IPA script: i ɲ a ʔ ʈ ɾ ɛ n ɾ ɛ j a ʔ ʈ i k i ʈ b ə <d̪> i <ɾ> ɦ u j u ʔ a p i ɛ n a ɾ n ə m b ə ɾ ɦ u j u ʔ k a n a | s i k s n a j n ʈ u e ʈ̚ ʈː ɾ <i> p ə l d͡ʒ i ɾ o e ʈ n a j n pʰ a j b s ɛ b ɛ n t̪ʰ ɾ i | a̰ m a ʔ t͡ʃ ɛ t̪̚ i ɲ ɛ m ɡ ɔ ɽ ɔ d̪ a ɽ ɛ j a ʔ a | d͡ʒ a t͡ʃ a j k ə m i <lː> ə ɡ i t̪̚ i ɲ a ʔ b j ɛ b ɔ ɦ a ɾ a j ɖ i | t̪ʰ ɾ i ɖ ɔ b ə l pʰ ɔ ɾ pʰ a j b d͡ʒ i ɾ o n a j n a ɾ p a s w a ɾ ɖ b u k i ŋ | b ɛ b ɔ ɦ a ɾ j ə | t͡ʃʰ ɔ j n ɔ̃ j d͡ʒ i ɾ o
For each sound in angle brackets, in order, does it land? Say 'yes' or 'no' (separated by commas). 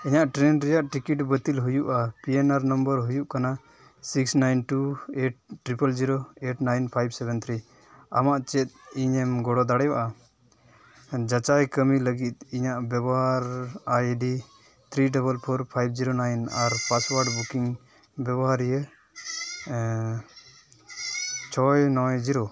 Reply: no, no, yes, no